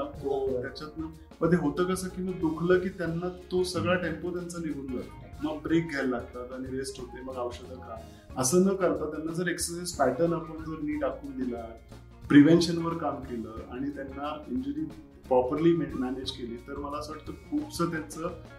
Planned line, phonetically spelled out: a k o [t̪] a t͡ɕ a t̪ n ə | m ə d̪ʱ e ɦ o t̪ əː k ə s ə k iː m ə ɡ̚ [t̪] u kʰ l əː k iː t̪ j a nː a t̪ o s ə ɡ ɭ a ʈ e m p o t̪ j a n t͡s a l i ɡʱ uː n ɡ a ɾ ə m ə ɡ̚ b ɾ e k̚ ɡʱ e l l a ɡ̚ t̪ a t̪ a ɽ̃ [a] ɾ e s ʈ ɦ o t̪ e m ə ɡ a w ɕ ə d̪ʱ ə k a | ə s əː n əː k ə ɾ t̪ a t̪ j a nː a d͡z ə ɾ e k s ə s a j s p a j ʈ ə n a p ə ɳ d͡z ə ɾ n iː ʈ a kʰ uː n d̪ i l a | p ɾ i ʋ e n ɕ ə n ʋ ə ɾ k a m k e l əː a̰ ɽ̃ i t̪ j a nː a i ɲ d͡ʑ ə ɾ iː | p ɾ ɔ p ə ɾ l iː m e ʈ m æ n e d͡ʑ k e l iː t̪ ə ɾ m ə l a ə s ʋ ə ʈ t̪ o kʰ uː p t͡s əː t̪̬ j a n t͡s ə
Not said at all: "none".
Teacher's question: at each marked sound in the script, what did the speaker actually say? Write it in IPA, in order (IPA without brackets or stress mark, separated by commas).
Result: t̪, d̪, i